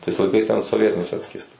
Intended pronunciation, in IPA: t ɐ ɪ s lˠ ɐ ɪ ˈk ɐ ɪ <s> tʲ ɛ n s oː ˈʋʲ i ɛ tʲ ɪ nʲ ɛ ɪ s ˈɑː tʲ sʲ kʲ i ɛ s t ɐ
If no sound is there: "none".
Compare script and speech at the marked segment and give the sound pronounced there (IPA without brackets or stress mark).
s